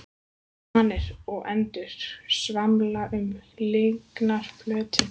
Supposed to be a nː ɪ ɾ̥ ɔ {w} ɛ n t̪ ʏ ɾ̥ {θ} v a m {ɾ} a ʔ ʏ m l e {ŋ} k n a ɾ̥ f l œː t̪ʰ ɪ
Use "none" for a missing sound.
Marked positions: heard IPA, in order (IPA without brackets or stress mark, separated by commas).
ɣ, s, l, ŋ